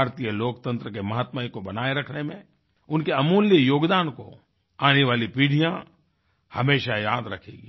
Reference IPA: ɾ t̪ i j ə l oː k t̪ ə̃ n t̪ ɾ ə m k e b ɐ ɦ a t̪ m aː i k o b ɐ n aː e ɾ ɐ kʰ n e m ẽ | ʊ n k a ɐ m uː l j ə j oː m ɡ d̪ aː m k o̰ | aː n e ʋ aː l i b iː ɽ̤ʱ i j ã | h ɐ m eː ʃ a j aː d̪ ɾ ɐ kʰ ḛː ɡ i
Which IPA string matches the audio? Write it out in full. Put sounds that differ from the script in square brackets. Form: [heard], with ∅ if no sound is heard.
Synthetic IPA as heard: ɾ t̪ i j ə l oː k t̪ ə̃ n t̪ ɾ ə [∅] k e [m] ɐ ɦ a t̪ m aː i k o b ɐ n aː e ɾ ɐ kʰ n e m ẽ | ʊ n k [e] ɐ m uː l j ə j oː [∅] ɡ d̪ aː [n] k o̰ | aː n e ʋ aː l i [p] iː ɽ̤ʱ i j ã | h ɐ m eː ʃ a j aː d̪ ɾ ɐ kʰ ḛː ɡ i

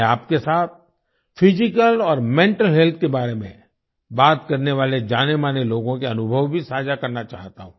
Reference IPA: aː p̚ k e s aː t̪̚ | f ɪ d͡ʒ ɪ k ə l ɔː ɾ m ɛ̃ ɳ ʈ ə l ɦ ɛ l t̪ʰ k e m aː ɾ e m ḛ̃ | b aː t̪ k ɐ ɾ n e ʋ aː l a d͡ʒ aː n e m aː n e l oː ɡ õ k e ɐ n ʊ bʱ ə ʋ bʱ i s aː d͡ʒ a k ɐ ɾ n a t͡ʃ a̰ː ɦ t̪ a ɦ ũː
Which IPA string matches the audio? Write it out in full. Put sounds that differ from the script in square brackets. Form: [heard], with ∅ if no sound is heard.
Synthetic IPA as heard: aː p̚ k e s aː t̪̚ | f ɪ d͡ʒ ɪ k ə l ɔː ɾ m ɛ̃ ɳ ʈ ə l ɦ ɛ l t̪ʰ k e [b] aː ɾ e m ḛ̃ | b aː t̪ k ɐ ɾ n e ʋ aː l [e] d͡ʒ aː n e m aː n e l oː ɡ õ k e ɐ n ʊ bʱ ə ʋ bʱ i s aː d͡ʒ a k ɐ ɾ n a t͡ʃ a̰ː ɦ t̪ a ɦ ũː

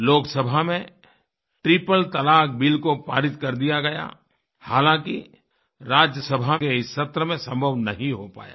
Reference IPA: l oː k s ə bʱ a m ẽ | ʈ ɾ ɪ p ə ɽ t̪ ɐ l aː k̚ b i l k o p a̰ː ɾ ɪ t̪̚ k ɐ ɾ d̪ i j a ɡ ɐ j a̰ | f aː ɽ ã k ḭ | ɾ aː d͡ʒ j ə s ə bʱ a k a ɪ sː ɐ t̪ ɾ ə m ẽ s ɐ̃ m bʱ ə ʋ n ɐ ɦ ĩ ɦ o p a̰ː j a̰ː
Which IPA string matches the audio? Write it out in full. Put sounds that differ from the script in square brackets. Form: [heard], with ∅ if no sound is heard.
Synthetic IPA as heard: l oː k s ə bʱ a m ẽ | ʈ ɾ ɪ p ə [l] t̪ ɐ l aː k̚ b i l k o p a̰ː ɾ ɪ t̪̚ k ɐ ɾ d̪ i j a ɡ ɐ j a̰ | [h] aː [l] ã k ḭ | ɾ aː d͡ʒ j ə s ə bʱ a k [e] ɪ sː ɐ t̪ ɾ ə m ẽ s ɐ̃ m bʱ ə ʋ n ɐ ɦ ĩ ɦ o p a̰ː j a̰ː

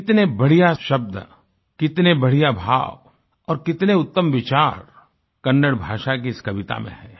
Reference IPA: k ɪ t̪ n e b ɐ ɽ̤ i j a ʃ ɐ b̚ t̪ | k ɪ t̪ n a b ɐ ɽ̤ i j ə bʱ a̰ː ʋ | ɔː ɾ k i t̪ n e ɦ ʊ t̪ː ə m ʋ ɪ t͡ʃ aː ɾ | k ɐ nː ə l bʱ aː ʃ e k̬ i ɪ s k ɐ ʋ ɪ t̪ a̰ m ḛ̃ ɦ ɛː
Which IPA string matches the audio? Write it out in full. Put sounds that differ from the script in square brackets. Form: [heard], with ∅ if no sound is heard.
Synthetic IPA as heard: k ɪ t̪ n e b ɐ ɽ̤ i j a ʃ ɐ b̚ [d̪] | k ɪ t̪ n [e] b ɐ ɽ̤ i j [a] bʱ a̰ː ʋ | ɔː ɾ k [ɪ] t̪ n e [∅] ʊ t̪ː ə m ʋ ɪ t͡ʃ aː ɾ | k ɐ nː ə [ɽ] bʱ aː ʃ [a] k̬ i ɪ s k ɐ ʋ ɪ t̪ a̰ m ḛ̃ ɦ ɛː

